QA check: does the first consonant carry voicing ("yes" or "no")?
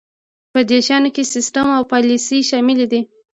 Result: no